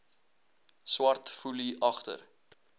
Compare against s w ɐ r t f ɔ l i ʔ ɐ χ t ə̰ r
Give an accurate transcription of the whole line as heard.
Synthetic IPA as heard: s w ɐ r t f u l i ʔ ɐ χ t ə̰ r